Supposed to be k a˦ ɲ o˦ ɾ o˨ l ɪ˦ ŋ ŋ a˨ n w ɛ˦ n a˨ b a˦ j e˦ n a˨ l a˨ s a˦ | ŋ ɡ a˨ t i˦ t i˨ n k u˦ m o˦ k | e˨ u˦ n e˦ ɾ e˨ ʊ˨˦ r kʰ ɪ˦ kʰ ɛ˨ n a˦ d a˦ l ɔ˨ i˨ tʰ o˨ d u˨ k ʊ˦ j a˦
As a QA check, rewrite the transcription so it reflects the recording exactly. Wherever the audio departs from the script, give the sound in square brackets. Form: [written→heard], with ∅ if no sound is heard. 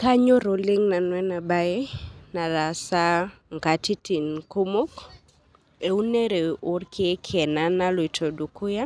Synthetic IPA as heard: k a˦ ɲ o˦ ɾ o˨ l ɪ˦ ŋ [ŋ→n] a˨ n w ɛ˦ n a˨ b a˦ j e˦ n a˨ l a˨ s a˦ | ŋ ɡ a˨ t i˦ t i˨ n k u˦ m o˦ k | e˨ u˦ n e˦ ɾ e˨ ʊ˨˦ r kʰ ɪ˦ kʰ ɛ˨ n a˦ [d→n] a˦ l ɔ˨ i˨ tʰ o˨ d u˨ k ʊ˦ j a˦